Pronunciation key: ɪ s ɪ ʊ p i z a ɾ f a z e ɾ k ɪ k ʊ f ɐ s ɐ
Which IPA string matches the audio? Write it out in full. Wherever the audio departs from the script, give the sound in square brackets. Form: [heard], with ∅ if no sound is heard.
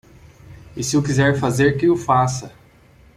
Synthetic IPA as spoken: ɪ s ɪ ʊ [k] i z [ɛ] ɾ f a z e ɾ k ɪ [∅] ʊ f [a] s ɐ

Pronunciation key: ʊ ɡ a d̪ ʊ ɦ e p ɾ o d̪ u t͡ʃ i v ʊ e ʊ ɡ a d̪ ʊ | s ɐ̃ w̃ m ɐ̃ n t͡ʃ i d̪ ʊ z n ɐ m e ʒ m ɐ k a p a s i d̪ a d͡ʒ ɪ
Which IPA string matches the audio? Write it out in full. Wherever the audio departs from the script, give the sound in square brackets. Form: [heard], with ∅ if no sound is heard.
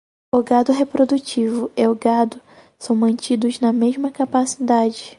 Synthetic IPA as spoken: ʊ ɡ a d̪ ʊ ɦ e p ɾ o d̪ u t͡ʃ i v ʊ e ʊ ɡ a d̪ ʊ | s ɐ̃ w̃ m ɐ̃ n t͡ʃ i d̪ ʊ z n ɐ m e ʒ m ɐ k a p a s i d̪ a d͡ʒ ɪ

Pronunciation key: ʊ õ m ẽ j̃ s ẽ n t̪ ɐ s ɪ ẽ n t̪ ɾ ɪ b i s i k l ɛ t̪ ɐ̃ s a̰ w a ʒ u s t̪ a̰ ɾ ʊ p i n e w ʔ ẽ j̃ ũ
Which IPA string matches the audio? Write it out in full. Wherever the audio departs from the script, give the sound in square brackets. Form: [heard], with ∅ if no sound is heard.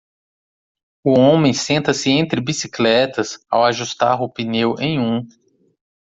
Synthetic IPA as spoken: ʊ õ m ẽ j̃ s ẽ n t̪ ɐ s ɪ ẽ n t̪ ɾ ɪ b i s i k l ɛ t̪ [ɐ] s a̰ w a ʒ u s t̪ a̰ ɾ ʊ p i n e w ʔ ẽ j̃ ũ

